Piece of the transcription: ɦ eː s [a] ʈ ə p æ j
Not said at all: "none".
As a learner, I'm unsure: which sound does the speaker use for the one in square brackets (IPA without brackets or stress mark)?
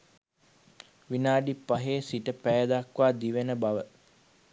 i